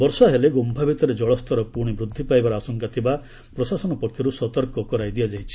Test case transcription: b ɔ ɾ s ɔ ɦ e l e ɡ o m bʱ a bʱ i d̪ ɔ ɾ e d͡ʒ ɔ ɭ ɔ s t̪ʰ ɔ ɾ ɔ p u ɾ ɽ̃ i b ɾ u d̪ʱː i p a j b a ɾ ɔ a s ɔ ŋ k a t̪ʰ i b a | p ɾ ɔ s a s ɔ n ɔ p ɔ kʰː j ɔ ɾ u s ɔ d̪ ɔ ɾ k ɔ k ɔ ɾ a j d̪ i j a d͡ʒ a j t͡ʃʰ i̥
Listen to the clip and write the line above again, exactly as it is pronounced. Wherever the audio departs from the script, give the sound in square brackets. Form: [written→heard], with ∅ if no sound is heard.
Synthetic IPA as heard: b ɔ ɾ s ɔ ɦ e l e ɡ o m bʱ a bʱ i [d̪→t̪] ɔ ɾ e d͡ʒ ɔ ɭ ɔ s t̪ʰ ɔ ɾ ɔ p u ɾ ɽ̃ i b ɾ u d̪ʱː i p a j b a ɾ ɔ a s ɔ ŋ k a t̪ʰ i b a | p ɾ ɔ s a s ɔ n ɔ p ɔ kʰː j ɔ ɾ u s ɔ [d̪→t̪] ɔ ɾ k ɔ k ɔ ɾ a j d̪ i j a d͡ʒ a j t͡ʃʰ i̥